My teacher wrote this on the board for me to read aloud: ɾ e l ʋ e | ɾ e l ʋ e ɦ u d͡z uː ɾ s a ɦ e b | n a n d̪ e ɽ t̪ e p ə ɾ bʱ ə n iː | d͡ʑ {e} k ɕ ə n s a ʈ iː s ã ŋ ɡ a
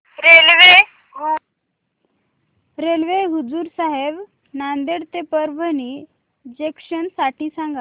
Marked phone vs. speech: correct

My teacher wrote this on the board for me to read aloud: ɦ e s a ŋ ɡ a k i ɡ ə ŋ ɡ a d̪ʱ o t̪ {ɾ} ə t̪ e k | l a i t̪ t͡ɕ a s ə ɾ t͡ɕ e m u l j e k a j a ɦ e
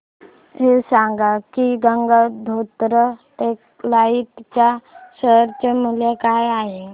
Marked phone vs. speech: correct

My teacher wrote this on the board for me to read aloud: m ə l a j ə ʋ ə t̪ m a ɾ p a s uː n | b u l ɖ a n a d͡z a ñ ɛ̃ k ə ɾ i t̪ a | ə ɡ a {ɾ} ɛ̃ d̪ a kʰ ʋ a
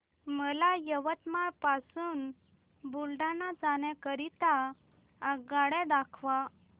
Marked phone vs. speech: incorrect: ɽ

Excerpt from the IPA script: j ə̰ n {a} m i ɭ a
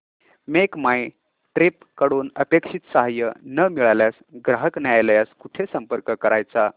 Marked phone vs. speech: incorrect: ə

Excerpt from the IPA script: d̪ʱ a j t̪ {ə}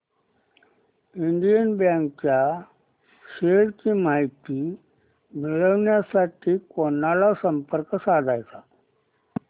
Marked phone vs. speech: incorrect: a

